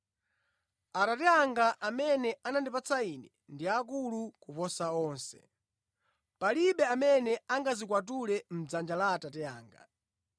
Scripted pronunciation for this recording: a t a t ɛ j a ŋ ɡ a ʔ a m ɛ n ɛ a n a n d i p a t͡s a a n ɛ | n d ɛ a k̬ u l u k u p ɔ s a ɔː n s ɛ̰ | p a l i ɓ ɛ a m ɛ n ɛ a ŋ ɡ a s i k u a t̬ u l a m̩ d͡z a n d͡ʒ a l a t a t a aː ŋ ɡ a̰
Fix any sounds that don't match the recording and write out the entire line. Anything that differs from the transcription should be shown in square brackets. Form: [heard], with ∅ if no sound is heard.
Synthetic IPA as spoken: a t a t ɛ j a ŋ ɡ a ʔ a m ɛ n ɛ a n a n d i p a t͡s a [i] n ɛ | n d [i] a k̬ u l u k u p ɔ s a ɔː n s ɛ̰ | p a l i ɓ ɛ a m ɛ n ɛ a ŋ ɡ a [z] i k [w] a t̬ u l [ɛ] m̩ d͡z a n d͡ʒ a l a t a t [ɛ] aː ŋ ɡ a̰